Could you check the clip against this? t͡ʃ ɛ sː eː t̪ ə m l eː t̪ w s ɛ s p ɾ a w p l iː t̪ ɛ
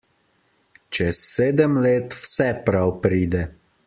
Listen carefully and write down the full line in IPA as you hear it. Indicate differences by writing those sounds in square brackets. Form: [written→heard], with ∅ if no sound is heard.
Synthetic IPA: t͡ʃ ɛ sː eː [t̪→d̪] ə m l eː t̪ w s ɛ [s→∅] p ɾ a w p [l→ɾ] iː [t̪→d̪] ɛ